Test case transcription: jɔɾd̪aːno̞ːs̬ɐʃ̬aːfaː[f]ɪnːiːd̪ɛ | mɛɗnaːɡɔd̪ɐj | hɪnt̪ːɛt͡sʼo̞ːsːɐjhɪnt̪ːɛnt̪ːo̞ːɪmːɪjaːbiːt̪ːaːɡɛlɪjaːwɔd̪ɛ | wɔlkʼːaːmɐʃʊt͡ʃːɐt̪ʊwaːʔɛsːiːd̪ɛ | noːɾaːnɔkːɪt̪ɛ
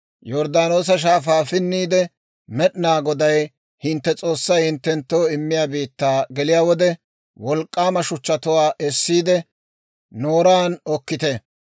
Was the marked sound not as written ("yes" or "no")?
no